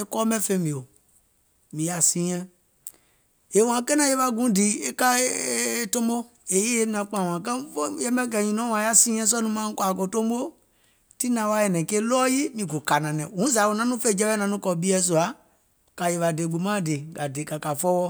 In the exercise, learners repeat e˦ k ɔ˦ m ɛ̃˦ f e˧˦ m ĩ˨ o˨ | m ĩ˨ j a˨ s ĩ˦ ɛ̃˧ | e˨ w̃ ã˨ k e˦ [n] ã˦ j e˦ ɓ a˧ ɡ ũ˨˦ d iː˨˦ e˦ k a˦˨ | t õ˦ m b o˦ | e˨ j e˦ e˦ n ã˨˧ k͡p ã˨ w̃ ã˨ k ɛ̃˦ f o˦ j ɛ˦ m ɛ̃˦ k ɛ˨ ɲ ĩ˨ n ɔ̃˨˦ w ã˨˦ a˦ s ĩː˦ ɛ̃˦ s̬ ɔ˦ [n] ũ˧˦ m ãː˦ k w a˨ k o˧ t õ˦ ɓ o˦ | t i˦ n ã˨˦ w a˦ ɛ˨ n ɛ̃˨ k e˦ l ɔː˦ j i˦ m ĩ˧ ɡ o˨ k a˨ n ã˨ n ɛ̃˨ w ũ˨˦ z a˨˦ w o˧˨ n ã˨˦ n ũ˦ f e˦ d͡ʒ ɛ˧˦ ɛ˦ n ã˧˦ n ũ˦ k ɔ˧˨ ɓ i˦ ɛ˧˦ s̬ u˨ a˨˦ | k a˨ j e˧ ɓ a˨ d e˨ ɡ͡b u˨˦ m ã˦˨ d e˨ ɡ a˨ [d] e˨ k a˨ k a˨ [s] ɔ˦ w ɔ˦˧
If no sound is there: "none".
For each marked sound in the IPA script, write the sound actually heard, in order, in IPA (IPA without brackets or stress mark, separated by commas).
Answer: n, n, d, f